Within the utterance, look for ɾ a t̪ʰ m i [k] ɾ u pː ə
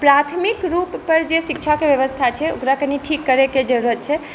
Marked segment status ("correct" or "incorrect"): correct